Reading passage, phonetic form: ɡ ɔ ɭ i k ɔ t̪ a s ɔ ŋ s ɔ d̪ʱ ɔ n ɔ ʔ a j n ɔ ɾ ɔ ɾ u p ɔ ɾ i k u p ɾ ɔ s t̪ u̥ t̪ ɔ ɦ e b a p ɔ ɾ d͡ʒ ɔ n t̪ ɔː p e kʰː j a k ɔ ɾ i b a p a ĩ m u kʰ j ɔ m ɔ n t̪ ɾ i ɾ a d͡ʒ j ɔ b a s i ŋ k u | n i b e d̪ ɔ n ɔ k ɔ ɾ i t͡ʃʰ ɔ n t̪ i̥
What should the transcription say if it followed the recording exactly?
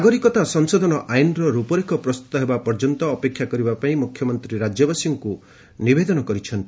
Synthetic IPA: ɡ ɔ ɾ i k ɔ t̪ a s ɔ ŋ s ɔ d̪ʱ ɔ n ɔ ʔ a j n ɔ ɾ ɔ ɾ u p ɔ ɾ i k ɔ p ɾ ɔ s t̪ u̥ t̪ ɔ ɦ e b a p ɔ ɾ d͡ʒ ɔ n t̪ ɔː p e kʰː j a k ɔ ɾ i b a p a ĩ m u kʰ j ɔ m ɔ n t̪ ɾ i ɾ a d͡ʒ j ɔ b a s i ŋ k u | n i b e d̪ ɔ n ɔ k ɔ ɾ i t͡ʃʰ ɔ n t̪ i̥